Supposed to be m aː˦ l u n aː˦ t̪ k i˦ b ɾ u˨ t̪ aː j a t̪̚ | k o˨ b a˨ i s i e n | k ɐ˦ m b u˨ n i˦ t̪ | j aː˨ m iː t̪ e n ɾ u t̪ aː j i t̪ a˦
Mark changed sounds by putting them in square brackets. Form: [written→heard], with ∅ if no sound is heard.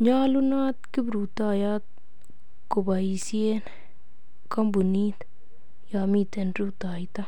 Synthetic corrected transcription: [m→ɲ] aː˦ l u n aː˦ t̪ k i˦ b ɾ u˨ t̪ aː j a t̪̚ | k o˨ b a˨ i s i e n | k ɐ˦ m b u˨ n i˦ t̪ | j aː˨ m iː t̪ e n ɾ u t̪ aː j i t̪ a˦